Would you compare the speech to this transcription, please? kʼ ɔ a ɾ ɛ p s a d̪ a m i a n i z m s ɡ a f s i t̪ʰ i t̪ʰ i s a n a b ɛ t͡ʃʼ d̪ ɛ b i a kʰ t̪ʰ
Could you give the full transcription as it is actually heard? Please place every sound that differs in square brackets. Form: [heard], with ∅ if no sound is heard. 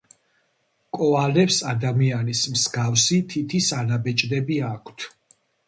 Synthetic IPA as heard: kʼ ɔ a [l] ɛ p s a d̪ a m i a n i [s] m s ɡ a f s i t̪ʰ i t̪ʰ i s a n a b ɛ t͡ʃʼ d̪ ɛ b i a kʰ t̪ʰ